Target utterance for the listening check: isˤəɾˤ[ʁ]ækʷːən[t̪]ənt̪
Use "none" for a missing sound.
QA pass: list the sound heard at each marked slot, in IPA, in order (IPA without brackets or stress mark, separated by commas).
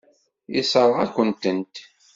ʁ, t̪